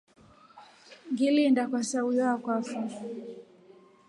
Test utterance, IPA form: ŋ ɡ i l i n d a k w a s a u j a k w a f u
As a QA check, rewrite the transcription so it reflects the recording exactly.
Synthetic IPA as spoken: ŋ ɡ i l i n d a k w a s a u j a k w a f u